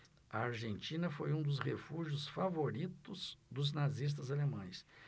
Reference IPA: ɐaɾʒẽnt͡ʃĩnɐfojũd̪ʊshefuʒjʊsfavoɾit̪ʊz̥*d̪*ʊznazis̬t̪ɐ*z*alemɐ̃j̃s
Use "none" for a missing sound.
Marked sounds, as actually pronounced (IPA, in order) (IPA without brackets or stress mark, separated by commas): d̪, z